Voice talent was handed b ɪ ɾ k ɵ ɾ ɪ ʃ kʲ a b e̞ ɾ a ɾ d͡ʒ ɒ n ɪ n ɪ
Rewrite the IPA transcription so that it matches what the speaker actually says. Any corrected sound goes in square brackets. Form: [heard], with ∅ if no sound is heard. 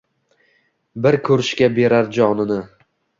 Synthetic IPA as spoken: b ɪ ɾ [kʰ] ɵ ɾ ɪ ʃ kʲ a b e̞ ɾ a ɾ d͡ʒ ɒ n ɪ n ɪ